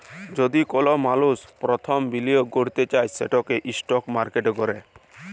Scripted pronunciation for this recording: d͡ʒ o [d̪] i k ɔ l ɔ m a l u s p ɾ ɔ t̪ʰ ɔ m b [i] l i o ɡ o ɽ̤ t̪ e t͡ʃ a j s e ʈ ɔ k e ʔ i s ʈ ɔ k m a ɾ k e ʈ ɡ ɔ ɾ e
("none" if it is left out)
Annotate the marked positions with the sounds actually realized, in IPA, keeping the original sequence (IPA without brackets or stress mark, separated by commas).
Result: d̪, i